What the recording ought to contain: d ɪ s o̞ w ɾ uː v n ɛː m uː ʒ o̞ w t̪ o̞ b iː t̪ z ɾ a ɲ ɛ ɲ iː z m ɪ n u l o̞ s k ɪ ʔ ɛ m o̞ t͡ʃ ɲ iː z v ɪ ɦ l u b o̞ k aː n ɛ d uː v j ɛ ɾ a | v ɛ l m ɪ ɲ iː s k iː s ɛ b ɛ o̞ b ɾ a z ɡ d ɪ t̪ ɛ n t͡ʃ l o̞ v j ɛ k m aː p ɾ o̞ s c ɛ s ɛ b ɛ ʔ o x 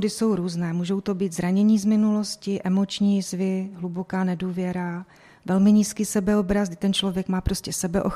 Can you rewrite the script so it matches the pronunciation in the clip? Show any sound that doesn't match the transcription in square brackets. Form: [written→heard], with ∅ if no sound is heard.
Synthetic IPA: d ɪ s o̞ w ɾ uː [v→z] n ɛː m uː ʒ o̞ w t̪ o̞ b iː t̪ z ɾ a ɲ ɛ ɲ iː z m ɪ n u l o̞ s [k→c] ɪ ʔ ɛ m o̞ t͡ʃ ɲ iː z v ɪ ɦ l u b o̞ k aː n ɛ d uː v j ɛ ɾ a | v ɛ l m ɪ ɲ iː s k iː s ɛ b ɛ o̞ b ɾ a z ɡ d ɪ t̪ ɛ n t͡ʃ l o̞ v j ɛ k m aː p ɾ o̞ s c ɛ s ɛ b ɛ ʔ o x